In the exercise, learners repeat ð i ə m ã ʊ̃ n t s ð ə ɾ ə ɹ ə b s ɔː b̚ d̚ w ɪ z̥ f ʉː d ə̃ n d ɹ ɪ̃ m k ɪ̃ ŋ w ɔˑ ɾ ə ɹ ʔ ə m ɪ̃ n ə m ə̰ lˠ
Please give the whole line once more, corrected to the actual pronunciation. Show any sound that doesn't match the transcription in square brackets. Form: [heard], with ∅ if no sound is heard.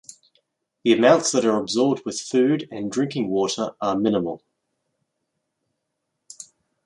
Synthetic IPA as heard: ð i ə m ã ʊ̃ n t s ð ə ɾ ə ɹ ə b [z] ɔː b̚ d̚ w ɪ [ð̥] f ʉː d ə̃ n d ɹ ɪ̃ [ŋ] k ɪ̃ ŋ w ɔˑ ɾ ə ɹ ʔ ə m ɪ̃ n ə m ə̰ lˠ